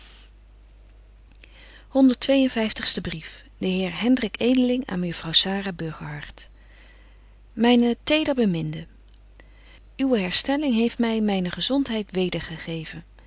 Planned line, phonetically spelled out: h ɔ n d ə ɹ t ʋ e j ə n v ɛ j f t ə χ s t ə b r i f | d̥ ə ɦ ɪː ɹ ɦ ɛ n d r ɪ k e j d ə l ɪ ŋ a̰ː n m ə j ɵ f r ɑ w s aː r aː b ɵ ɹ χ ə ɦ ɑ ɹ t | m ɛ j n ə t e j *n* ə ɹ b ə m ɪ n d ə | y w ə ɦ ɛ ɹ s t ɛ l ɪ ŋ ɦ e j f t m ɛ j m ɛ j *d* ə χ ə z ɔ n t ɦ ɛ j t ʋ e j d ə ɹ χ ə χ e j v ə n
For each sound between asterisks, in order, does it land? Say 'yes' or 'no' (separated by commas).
no, no